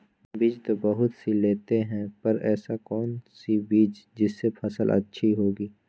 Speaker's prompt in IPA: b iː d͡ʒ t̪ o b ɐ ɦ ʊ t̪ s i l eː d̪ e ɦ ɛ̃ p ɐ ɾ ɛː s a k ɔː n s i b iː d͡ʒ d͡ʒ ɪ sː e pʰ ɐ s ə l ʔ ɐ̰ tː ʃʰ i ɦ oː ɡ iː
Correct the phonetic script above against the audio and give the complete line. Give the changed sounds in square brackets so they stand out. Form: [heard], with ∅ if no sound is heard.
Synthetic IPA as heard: b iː d͡ʒ t̪ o b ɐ ɦ ʊ t̪ s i l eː [t̪] e ɦ ɛ̃ p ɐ ɾ ɛː s a k ɔː n s i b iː d͡ʒ d͡ʒ ɪ sː e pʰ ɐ s ə l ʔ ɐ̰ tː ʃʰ i ɦ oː ɡ iː